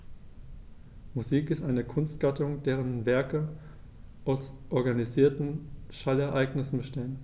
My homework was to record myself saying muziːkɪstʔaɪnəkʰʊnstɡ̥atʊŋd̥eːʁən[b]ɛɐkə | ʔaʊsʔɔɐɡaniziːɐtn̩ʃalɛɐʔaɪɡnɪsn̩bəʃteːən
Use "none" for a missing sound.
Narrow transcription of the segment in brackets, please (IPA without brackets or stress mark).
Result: v